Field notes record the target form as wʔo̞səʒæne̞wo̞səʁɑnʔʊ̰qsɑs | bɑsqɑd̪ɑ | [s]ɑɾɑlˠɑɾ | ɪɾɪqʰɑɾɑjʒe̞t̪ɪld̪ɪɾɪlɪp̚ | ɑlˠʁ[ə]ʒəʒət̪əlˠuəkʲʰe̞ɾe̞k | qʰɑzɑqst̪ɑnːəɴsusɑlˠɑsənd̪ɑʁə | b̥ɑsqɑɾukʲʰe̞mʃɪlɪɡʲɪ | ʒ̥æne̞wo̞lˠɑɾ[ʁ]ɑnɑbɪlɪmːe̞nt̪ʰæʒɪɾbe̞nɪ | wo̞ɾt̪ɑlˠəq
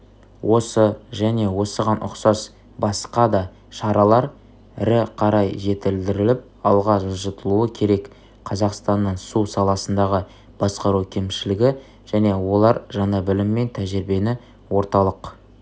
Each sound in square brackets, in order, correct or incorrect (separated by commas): incorrect, incorrect, incorrect